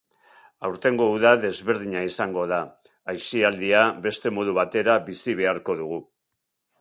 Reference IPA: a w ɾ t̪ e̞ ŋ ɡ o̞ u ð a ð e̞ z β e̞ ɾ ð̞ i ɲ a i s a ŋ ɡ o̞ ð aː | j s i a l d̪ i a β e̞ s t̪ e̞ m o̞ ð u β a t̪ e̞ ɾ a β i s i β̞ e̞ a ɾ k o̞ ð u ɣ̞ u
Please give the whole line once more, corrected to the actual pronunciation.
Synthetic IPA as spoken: a w ɾ t̪ e̞ ŋ ɡ o̞ u ð a ð e̞ z β e̞ ɾ ð̞ i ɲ a i s a ŋ ɡ o̞ ð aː | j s i a l d̪ i a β e̞ s t̪ e̞ m o̞ ð u β a t̪ e̞ ɾ a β i s i β̞ e̞ a ɾ k o̞ ð u ɣ̞ u